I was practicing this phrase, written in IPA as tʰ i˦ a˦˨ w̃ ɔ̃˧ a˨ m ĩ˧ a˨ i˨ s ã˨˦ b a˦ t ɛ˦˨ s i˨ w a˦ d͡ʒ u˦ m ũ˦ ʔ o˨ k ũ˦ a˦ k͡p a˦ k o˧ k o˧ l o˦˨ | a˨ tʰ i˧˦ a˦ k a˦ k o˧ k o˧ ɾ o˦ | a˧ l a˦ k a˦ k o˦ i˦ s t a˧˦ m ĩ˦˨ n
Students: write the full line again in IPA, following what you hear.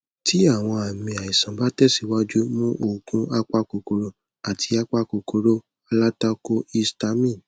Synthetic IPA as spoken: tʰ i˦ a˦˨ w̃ ɔ̃˧ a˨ m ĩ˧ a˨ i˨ s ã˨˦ b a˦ t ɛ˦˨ s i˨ w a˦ d͡ʒ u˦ m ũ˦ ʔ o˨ k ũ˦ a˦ k͡p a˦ k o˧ k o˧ ɾ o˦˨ | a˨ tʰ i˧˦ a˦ k͡p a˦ k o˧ k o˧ ɾ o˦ | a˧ l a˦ t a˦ k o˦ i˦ s t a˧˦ m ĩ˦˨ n